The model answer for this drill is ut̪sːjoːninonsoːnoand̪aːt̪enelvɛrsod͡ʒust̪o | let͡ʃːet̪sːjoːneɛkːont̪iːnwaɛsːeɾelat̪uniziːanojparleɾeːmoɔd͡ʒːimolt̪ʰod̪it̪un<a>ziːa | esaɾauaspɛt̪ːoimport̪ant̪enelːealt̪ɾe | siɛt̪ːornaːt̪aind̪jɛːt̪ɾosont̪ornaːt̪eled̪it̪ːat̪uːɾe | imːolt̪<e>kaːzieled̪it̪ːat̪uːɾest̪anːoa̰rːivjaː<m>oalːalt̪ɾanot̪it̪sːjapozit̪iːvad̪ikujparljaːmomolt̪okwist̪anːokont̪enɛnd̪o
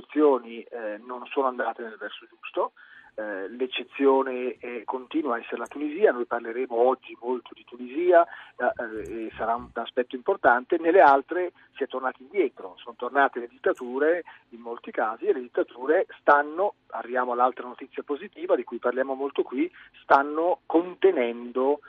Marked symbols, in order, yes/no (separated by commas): no, no, yes